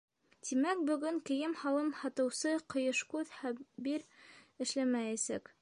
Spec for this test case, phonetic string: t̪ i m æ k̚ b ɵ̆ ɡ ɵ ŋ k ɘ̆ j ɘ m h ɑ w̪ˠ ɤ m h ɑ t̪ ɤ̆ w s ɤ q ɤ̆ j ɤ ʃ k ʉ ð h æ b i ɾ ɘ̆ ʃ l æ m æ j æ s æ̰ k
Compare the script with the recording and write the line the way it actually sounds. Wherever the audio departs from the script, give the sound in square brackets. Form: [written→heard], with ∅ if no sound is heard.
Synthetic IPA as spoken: t̪ i m æ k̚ b ɵ̆ ɡ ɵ ŋ k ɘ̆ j ɘ m h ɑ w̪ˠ ɤ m h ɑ t̪ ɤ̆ w s ɤ q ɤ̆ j ɤ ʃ k ʉ ð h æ b i ɾ ɘ̆ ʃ l æ m æ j æ s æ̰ k

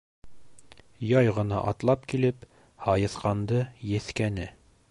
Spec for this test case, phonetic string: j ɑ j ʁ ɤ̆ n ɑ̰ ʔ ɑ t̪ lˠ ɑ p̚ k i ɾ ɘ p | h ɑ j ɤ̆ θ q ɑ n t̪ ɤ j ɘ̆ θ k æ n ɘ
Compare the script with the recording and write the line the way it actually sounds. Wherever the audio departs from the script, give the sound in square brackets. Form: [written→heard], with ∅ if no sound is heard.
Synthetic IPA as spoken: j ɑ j ʁ ɤ̆ n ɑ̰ ʔ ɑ t̪ lˠ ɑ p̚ k i [ɾ→l] ɘ p | h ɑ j ɤ̆ θ q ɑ n [t̪→d̪] ɤ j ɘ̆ θ k æ n ɘ

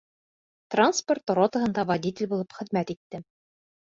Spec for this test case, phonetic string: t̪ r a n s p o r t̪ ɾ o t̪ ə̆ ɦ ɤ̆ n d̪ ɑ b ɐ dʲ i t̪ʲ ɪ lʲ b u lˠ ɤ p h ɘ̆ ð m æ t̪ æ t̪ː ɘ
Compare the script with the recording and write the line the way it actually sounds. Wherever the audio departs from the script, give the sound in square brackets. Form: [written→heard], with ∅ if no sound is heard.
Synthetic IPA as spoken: t̪ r a n s p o r t̪ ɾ o t̪ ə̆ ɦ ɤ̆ n d̪ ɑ [b→v] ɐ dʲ i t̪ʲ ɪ lʲ b u lˠ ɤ p [h→χ] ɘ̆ ð m æ t̪ [æ→i] t̪ː ɘ

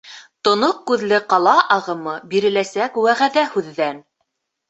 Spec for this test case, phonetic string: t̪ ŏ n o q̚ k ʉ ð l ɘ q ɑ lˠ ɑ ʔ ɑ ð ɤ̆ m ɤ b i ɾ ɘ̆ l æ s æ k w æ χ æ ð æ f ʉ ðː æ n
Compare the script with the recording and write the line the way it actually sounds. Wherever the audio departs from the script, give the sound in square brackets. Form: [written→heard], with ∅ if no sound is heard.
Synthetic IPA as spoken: t̪ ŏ n o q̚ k ʉ ð l ɘ q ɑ lˠ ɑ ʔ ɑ [ð→ʁ] ɤ̆ m ɤ b i ɾ ɘ̆ l æ s æ k w æ [χ→ʁ] æ ð æ [f→h] ʉ ðː æ n

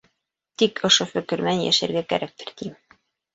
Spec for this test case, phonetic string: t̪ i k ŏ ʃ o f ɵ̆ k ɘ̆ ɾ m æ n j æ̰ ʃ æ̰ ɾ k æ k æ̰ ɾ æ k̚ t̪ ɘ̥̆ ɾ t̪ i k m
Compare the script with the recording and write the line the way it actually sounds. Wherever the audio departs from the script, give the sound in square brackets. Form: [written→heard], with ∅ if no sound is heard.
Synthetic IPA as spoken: t̪ i k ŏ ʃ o f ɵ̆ k ɘ̆ ɾ m æ n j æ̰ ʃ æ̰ ɾ [k→ɡ] æ k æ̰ ɾ æ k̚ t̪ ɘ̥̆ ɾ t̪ i [k→∅] m

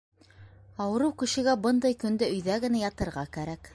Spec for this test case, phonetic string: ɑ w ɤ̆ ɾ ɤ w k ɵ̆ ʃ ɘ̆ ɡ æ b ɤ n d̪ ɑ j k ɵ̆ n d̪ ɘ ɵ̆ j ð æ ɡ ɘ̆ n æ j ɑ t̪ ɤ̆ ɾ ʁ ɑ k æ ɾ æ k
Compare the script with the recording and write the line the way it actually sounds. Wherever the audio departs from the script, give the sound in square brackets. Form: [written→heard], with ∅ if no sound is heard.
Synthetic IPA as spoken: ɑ w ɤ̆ ɾ ɤ w k ɵ̆ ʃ ɘ̆ ɡ æ b ɤ n d̪ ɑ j k ɵ̆ n d̪ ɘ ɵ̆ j ð æ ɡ ɘ̆ n æ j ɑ t̪ ɤ̆ ɾ ʁ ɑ k æ ɾ æ k

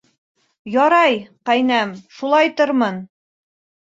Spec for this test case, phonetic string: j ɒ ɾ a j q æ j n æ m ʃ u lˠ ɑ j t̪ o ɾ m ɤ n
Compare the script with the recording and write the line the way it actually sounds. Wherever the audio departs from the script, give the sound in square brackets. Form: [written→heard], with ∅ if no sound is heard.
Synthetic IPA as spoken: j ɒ ɾ [a→ɑ] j q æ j n æ m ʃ u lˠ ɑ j t̪ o ɾ m ɤ n

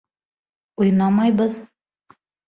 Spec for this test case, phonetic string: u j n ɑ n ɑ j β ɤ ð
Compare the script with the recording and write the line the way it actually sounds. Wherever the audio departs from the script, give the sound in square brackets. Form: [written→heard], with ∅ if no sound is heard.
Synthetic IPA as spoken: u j n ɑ [n→m] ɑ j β ɤ ð

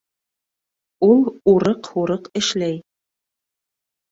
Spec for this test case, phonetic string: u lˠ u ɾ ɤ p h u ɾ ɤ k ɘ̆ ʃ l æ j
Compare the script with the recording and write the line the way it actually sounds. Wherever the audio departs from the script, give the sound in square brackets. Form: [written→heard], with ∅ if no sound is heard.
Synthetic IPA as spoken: u lˠ u ɾ ɤ [p→q] h u ɾ ɤ [k→q] ɘ̆ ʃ l æ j

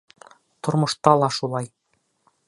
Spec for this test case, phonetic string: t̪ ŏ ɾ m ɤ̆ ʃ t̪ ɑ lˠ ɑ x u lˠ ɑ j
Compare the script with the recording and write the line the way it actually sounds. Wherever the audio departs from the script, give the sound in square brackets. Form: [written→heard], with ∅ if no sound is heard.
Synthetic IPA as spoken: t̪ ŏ ɾ m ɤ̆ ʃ t̪ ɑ lˠ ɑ [x→ʃ] u lˠ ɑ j

